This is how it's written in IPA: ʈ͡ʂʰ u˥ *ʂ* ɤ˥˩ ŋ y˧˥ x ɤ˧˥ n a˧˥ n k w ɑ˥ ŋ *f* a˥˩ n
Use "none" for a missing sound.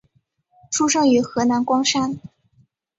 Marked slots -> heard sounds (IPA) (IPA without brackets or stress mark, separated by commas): ʂ, ʂ